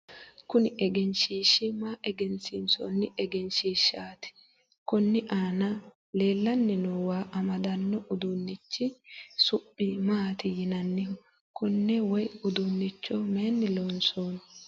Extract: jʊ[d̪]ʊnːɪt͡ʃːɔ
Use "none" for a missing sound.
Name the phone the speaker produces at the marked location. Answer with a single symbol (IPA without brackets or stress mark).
d̪